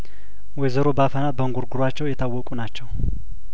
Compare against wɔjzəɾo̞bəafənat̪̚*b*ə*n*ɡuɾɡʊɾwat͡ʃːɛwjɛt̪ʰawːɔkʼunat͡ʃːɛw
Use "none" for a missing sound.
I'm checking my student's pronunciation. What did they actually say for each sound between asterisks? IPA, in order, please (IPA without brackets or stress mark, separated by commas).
b, ŋ